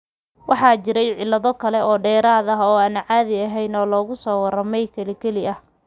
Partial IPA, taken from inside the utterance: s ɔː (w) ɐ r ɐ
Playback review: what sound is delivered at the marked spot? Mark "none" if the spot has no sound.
w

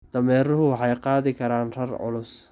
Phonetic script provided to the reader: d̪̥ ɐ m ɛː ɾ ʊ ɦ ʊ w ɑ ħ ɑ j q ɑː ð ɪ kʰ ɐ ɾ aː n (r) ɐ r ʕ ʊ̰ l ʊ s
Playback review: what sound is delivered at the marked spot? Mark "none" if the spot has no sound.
r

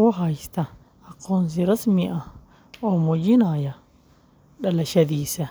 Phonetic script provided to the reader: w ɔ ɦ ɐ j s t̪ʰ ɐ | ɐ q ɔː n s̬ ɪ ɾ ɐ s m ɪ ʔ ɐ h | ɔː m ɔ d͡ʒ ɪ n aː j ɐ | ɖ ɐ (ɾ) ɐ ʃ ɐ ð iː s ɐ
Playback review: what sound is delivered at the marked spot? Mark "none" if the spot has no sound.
l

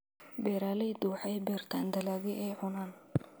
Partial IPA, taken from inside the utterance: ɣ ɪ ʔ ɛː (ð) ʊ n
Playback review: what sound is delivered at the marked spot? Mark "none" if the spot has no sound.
ʕ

